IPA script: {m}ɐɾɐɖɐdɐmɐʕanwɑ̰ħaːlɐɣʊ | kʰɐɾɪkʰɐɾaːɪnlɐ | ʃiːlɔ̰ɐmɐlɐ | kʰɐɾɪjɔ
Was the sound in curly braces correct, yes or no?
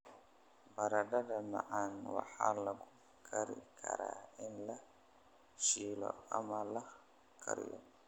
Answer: no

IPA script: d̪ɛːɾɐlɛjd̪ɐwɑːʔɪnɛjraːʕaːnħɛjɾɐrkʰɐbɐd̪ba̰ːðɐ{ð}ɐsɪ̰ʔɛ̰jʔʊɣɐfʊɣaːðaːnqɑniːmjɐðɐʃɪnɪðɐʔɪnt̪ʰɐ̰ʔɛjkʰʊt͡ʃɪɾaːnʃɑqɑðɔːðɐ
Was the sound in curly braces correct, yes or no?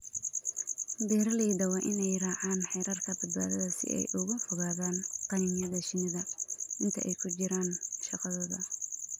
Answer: yes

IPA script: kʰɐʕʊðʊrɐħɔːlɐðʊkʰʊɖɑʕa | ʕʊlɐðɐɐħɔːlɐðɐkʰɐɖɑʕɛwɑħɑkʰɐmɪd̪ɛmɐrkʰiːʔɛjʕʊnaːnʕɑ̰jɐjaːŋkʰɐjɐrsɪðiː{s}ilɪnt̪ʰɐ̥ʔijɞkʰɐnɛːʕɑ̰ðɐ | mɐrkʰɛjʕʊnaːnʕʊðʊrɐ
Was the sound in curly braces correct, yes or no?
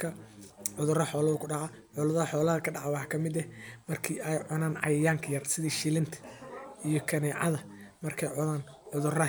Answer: no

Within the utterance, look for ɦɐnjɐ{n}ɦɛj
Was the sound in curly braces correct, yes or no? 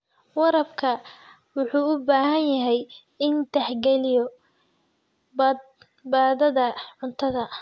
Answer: no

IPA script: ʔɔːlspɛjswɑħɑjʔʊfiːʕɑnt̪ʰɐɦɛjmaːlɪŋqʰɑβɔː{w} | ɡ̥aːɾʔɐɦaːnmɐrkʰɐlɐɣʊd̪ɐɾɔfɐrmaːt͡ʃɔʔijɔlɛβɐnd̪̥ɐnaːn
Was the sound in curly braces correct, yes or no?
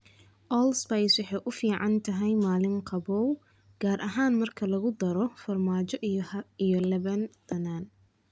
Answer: yes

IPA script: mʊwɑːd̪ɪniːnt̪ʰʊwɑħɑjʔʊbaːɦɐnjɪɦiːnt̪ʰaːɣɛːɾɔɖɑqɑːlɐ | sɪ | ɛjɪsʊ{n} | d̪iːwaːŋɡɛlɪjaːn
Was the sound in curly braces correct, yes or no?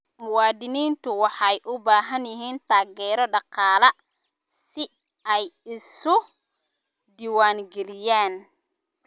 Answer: no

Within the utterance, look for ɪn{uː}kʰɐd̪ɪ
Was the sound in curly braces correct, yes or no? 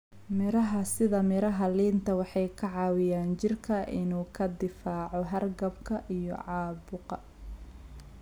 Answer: yes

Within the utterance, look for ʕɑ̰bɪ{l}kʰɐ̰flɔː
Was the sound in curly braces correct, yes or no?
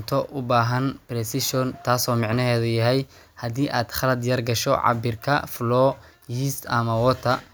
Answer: no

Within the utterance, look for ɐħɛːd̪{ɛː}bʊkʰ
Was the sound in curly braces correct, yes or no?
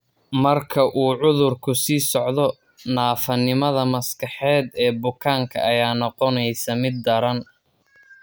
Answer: yes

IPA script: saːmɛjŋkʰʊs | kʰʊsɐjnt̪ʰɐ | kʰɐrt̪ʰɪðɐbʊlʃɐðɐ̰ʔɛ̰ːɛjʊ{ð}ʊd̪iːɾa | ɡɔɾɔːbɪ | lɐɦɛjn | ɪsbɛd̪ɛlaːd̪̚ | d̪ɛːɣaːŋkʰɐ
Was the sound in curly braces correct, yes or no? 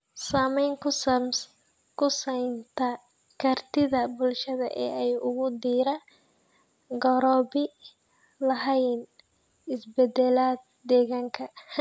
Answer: no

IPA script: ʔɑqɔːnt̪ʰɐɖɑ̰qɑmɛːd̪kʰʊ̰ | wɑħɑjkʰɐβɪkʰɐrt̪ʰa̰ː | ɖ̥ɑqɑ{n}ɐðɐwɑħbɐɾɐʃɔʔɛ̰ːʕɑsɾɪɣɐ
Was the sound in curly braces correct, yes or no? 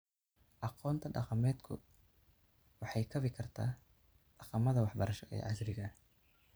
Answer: no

